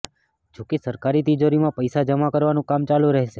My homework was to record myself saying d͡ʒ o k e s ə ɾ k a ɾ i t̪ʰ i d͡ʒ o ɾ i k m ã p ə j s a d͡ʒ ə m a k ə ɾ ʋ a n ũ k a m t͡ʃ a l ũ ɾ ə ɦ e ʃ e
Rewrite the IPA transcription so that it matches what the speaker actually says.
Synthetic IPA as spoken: d͡ʒ o k e s ə ɾ k a ɾ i t̪ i d͡ʒ o ɾ i m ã p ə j s a d͡ʒ ə m a k ə ɾ ʋ a n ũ k a m t͡ʃ a l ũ ɾ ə ɦ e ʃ e